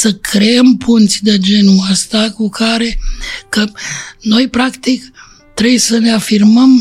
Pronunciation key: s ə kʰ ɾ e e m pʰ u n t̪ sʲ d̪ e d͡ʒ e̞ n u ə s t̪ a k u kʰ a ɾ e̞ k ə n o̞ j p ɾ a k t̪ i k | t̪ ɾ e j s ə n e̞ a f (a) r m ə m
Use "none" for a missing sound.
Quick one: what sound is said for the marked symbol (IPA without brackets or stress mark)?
i